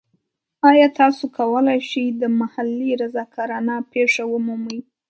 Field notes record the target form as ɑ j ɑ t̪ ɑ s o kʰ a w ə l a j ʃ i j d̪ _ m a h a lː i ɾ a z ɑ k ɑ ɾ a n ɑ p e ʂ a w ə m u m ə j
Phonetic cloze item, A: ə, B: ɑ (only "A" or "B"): A